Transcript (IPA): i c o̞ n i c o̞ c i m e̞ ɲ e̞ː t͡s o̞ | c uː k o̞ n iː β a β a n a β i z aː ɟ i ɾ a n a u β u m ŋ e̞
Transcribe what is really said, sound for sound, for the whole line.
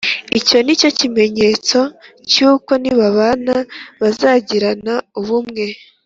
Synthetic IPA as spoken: i c o̞ n i c o̞ c i m e̞ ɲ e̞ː t͡s o̞ | c uː k o̞ n i β a β a n a β a z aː ɟ i ɾ a n a u β u m ŋ e̞